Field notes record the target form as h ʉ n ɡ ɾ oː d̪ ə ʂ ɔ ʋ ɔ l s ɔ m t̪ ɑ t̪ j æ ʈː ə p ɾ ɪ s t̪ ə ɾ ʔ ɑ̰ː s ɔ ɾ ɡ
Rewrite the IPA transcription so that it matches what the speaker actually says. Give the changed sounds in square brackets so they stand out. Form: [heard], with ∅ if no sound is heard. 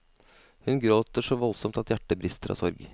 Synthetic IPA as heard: h ʉ n ɡ ɾ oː [t̪] ə ʂ ɔ ʋ ɔ l s ɔ m t̪ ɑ t̪ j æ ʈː ə [b] ɾ ɪ s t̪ ə ɾ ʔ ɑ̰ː s ɔ ɾ ɡ